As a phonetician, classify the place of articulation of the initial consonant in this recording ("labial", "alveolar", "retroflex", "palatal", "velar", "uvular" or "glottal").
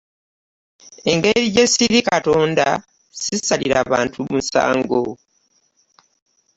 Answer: velar